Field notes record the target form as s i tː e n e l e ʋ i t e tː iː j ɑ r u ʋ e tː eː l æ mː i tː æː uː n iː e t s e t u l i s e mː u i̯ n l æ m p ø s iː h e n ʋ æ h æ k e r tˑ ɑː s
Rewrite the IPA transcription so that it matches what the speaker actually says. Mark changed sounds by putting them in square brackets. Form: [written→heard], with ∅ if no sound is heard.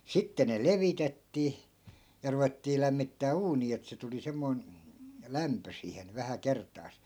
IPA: s i tː e n e l e ʋ i t e tː iː j ɑ r u ʋ e tː [eː→iː] l æ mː i tː æː uː n iː e t s e t u l i s e mː [u→o] i̯ n l æ m p ø s iː h e n ʋ æ h æ k e r tˑ ɑː s